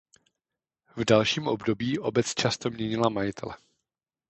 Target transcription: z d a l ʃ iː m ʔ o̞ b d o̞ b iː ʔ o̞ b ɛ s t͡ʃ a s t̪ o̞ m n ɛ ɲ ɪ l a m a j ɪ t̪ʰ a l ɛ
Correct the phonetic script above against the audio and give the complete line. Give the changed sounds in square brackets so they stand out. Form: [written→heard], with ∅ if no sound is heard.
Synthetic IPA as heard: [z→v] d a l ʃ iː m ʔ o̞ b d o̞ b iː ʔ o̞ b ɛ [s→t͡s] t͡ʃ a s t̪ o̞ m [n→ɲ] ɛ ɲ ɪ l a m a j ɪ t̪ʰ [a→ɛ] l ɛ